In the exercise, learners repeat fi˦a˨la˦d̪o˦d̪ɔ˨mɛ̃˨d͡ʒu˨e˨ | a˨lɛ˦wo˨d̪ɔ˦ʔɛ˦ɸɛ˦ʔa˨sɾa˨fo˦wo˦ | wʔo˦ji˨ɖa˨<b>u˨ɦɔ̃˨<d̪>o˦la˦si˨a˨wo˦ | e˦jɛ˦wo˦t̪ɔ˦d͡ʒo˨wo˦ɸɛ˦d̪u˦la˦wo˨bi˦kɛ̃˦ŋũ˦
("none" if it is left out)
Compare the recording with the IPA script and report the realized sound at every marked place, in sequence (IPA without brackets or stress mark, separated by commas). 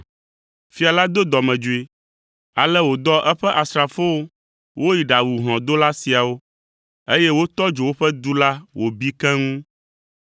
w, d̪